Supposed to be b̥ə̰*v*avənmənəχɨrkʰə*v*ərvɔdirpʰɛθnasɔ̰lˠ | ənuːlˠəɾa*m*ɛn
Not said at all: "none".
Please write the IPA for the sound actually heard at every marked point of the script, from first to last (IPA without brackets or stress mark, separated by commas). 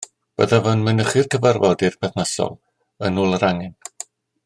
ð, v, ŋ